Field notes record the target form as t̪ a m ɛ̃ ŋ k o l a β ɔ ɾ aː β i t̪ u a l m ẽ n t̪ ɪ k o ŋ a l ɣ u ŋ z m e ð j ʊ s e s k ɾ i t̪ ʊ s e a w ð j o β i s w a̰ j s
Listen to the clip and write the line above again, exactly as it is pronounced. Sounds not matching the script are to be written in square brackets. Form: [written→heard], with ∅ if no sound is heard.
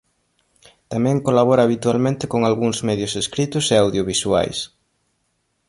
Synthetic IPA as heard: t̪ a m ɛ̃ ŋ k o l a β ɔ ɾ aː β i t̪ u a l m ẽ n t̪ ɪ k o ŋ a l ɣ u ŋ z m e ð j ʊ s e s k ɾ i t̪ ʊ s e a w ð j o β i s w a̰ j s